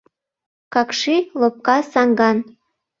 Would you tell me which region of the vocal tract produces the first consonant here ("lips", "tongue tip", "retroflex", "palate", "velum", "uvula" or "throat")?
velum